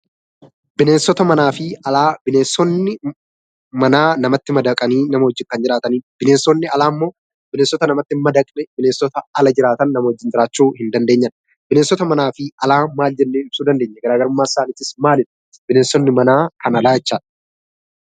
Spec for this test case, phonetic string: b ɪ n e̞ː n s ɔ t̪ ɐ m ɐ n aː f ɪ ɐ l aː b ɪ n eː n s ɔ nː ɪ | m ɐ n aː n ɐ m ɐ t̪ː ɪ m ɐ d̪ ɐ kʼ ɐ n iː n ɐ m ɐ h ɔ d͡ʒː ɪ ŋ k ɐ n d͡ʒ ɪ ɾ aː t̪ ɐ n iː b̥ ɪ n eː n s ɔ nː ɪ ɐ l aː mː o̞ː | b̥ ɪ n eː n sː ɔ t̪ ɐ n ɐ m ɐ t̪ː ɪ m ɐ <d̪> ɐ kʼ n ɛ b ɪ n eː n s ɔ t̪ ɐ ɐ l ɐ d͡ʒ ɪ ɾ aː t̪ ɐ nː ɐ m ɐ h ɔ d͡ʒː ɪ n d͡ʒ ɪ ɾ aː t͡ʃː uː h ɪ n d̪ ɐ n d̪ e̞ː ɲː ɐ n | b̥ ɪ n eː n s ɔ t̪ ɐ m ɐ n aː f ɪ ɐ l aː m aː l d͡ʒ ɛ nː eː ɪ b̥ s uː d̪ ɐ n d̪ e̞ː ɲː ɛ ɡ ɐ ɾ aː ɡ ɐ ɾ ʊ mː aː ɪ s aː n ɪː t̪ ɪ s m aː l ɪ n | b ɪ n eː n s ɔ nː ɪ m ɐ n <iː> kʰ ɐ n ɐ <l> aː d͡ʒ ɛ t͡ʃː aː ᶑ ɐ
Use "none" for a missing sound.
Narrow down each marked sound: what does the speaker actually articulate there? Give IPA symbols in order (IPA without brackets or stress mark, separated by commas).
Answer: d̪, aː, l